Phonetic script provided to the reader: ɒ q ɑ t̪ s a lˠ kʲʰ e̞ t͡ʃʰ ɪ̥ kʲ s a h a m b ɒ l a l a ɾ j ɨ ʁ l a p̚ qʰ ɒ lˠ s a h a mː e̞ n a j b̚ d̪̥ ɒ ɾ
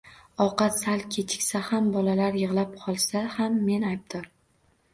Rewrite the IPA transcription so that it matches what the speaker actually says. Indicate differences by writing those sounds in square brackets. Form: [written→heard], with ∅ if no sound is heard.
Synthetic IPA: ɒ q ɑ t̪ s a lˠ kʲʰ e̞ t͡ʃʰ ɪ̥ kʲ s a h a m b ɒ l a l a ɾ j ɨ ʁ l a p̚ qʰ ɒ lˠ s a h a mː e̞ n a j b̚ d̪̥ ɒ ɾ